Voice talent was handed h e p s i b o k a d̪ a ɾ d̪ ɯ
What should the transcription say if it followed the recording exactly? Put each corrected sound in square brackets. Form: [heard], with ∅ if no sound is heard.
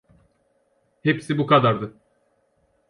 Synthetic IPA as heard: h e p s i b [u] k a d̪ a ɾ d̪ ɯ